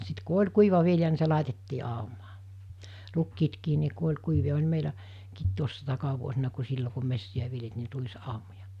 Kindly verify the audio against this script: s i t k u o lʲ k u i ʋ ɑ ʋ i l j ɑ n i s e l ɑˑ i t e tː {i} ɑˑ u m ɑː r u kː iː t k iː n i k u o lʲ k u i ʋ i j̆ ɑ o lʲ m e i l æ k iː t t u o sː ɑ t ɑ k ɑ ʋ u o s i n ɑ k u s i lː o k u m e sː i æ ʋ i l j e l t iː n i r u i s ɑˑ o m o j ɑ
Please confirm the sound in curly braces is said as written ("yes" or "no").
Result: no